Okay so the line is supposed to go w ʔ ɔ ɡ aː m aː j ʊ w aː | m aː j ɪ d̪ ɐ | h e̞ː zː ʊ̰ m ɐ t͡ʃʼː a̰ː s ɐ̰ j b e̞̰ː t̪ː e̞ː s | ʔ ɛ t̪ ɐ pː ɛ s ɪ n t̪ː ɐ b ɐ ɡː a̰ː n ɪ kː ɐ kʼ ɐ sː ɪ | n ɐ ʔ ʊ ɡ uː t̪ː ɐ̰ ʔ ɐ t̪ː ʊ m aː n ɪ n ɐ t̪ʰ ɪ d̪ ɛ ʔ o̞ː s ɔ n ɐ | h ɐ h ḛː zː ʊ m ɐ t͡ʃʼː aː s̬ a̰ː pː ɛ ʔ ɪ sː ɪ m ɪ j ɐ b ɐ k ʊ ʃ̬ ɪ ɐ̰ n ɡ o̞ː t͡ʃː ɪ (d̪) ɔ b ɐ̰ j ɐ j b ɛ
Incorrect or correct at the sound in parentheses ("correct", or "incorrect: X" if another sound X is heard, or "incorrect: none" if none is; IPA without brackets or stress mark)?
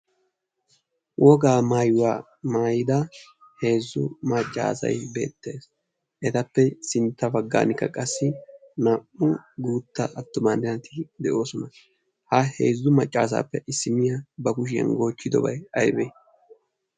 correct